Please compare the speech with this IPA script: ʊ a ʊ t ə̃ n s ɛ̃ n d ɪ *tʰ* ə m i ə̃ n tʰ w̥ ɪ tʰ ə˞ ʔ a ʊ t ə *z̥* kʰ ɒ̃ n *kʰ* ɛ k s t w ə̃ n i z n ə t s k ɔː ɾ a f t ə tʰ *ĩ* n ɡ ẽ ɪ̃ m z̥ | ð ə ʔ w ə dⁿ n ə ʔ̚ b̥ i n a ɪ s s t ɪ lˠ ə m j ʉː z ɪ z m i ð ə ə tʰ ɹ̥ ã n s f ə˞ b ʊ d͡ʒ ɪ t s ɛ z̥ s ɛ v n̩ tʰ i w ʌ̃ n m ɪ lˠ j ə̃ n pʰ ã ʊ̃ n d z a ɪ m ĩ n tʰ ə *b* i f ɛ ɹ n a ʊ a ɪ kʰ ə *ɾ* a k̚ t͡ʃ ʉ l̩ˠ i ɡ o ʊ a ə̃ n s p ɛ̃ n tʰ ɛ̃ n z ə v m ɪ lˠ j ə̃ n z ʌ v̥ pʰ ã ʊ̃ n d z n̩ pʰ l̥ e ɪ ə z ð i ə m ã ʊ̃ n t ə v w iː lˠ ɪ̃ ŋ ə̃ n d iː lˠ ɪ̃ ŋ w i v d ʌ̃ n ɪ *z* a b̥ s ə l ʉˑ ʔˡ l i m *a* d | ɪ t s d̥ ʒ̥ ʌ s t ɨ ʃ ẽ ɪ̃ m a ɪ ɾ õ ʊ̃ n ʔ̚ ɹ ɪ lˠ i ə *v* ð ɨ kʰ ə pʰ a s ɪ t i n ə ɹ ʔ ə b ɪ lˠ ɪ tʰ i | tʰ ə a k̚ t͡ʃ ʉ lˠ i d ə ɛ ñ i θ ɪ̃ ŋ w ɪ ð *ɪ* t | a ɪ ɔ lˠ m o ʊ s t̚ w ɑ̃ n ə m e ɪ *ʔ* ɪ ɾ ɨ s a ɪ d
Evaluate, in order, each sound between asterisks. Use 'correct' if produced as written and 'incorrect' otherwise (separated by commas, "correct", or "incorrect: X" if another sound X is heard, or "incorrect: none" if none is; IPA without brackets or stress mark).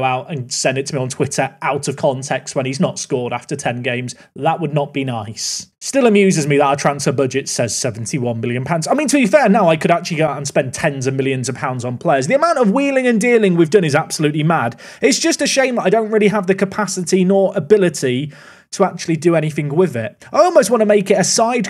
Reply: correct, incorrect: v̥, incorrect: tʰ, incorrect: ɛ̃, correct, correct, correct, correct, correct, correct, incorrect: k